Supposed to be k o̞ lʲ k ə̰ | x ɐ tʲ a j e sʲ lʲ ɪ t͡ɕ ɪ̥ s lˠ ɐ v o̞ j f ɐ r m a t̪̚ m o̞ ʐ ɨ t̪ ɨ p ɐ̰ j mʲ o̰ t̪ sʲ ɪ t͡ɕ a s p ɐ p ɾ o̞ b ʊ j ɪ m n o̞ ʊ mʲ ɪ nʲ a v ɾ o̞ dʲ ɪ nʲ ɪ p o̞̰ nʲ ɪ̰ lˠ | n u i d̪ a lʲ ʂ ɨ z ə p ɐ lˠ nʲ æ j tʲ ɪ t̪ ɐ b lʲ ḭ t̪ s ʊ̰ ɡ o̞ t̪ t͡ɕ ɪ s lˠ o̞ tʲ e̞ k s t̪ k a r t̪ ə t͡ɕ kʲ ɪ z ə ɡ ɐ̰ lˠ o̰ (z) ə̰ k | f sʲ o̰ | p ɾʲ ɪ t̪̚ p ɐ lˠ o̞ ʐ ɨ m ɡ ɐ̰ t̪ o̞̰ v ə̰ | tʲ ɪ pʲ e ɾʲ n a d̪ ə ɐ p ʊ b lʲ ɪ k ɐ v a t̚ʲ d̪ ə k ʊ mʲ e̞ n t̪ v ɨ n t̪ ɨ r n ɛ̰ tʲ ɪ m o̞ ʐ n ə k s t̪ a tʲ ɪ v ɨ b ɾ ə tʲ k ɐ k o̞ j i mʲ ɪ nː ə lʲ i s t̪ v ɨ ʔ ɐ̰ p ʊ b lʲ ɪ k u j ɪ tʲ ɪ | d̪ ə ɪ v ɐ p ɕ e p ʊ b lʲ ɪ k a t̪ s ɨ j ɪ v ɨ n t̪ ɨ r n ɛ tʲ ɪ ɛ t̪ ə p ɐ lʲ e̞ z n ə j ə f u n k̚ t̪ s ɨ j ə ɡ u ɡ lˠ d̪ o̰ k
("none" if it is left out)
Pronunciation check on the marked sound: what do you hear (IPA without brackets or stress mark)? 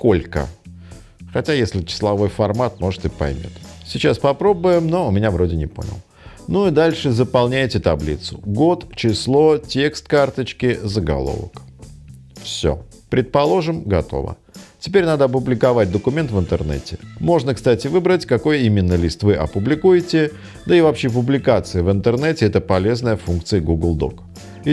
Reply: v